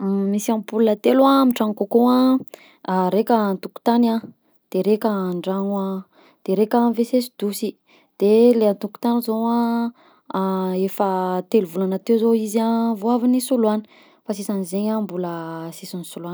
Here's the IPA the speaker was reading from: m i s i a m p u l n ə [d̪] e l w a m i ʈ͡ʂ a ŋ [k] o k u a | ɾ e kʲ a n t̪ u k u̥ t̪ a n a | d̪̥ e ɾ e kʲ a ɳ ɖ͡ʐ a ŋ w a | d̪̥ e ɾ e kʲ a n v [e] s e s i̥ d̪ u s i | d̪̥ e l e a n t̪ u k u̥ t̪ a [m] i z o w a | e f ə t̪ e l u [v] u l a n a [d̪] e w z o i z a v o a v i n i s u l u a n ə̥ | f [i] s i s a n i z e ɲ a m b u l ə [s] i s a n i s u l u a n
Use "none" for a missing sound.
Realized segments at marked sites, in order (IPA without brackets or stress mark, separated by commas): t̪, k, e, n, v, t̪, a, s